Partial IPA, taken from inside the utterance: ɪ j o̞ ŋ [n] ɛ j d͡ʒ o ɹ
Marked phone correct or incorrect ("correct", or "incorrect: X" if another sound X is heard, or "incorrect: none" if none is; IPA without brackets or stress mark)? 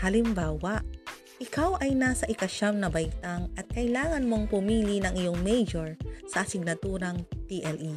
incorrect: m